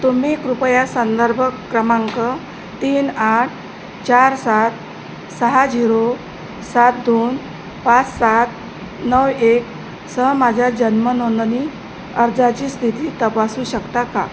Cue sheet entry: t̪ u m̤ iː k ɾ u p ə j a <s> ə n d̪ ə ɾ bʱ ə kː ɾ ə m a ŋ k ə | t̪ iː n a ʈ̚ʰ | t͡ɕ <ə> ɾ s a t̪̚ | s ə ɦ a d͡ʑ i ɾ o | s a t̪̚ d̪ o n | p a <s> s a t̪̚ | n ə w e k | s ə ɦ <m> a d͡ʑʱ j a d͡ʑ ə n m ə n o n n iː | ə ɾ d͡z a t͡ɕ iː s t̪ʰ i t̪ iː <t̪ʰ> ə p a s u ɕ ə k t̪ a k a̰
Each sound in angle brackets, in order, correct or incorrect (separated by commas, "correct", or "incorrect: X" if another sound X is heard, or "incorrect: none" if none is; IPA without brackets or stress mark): correct, incorrect: a, incorrect: t͡s, correct, incorrect: t̪